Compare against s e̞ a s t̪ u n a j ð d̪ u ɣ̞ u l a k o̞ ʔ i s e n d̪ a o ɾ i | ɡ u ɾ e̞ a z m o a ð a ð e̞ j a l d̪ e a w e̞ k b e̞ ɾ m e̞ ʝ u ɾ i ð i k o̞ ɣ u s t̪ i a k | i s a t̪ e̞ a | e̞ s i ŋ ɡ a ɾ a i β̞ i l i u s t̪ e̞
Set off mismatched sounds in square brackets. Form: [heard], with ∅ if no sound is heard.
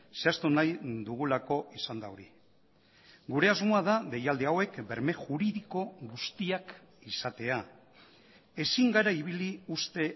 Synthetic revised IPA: s e̞ a s t̪ u n a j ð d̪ u ɣ̞ u l a k o̞ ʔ i s [a] n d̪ a o ɾ i | ɡ u ɾ e̞ a z m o a ð a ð e̞ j a l d̪ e a w e̞ k b e̞ ɾ m e̞ ʝ u ɾ i ð i k o̞ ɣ u s t̪ i a k | i s a t̪ e̞ a | e̞ s i ŋ ɡ a ɾ a i β̞ i l i u s t̪ e̞